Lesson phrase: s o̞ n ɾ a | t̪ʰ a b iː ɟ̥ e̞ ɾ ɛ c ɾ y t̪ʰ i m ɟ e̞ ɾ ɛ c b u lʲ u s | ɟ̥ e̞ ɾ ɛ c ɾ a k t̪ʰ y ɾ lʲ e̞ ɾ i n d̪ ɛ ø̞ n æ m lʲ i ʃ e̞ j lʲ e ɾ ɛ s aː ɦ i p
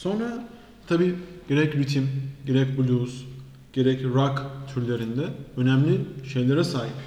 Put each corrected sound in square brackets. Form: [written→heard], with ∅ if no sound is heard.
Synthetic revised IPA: s o̞ n ɾ a | t̪ʰ a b iː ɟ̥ e̞ ɾ ɛ c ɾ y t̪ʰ i m ɟ e̞ ɾ ɛ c b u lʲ u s | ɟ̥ e̞ ɾ ɛ c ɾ a k t̪ʰ y ɾ lʲ e̞ ɾ i n d̪ ɛ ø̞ n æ m lʲ i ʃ e̞ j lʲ e ɾ ɛ s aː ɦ i p